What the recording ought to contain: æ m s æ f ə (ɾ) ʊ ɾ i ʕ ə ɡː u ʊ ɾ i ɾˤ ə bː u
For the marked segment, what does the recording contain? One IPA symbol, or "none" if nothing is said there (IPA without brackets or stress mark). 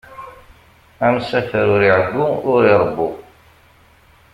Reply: ɾ